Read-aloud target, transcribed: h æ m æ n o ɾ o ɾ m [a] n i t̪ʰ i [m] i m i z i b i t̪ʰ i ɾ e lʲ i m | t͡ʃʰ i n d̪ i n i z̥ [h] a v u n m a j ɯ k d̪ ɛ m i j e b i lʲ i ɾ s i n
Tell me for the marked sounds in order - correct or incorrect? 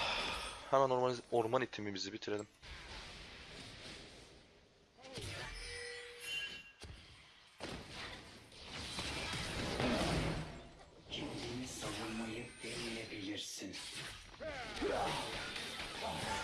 correct, correct, incorrect

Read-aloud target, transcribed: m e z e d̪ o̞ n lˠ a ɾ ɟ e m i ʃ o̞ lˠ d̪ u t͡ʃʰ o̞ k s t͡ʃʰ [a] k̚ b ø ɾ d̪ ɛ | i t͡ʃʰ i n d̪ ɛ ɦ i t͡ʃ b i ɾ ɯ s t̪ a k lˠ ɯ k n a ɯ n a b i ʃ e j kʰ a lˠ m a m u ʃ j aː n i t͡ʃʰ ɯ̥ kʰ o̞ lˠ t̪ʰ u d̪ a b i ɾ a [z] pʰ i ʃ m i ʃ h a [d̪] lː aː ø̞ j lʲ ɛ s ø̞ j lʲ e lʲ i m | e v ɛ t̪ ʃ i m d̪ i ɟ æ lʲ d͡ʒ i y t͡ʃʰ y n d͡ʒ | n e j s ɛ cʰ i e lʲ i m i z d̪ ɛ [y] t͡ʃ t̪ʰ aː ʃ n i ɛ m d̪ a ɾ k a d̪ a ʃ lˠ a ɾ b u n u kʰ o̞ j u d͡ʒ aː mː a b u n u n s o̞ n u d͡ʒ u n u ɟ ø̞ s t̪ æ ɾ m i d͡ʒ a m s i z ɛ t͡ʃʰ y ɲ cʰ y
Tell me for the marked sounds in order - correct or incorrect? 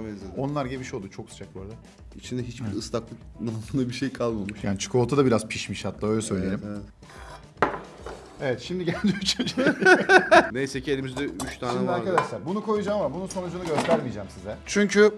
correct, correct, incorrect, correct

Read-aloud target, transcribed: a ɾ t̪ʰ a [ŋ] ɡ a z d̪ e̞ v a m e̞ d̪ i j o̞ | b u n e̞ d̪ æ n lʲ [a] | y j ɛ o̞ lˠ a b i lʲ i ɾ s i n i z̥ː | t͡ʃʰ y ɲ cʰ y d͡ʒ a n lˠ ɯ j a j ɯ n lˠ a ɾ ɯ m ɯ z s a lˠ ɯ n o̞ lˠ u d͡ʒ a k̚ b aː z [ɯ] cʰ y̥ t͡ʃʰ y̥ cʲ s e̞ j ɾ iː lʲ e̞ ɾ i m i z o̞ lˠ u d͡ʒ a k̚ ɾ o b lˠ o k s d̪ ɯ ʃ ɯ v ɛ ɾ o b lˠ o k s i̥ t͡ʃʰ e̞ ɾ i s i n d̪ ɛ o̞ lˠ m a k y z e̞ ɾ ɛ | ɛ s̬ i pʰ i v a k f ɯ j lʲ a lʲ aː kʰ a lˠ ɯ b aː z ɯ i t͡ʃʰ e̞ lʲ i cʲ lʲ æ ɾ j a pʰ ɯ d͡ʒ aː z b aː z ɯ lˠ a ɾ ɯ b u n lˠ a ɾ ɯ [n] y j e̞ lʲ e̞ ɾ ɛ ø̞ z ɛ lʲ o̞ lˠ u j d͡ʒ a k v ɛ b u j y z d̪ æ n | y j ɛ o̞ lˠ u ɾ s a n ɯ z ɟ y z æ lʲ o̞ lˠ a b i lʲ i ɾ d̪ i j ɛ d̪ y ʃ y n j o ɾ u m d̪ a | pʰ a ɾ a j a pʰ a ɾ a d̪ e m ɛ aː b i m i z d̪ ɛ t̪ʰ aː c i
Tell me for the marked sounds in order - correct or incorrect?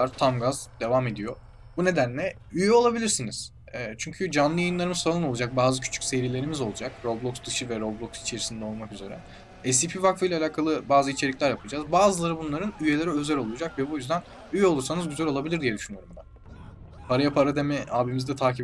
incorrect, incorrect, correct, correct

